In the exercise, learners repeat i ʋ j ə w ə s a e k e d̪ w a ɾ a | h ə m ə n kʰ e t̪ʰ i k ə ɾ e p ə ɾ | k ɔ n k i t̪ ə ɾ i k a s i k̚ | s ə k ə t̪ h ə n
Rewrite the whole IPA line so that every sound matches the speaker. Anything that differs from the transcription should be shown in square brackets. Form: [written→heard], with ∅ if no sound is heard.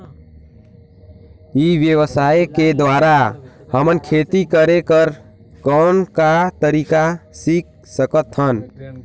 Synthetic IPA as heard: i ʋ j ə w ə s a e k e d̪ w a ɾ a | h ə m ə n kʰ e [t̪ʰ→t̪] i k ə ɾ e [p→k] ə ɾ | k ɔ n k [i→a] t̪ ə ɾ i k a s i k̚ | s ə k ə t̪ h ə n